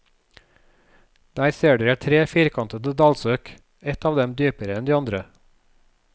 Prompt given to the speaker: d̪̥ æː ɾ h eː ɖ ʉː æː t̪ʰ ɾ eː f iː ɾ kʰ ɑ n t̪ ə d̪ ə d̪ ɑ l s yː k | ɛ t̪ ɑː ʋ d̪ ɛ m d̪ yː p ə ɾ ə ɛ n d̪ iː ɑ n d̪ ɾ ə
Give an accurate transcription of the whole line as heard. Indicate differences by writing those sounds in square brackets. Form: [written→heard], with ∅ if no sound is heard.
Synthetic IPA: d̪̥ æː ɾ [h→s] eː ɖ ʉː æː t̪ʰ ɾ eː f iː ɾ kʰ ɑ n t̪ ə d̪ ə d̪ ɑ l s [yː→øː] k | ɛ t̪ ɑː ʋ d̪ ɛ m d̪ yː p ə ɾ ə ɛ n d̪ iː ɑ n d̪ ɾ ə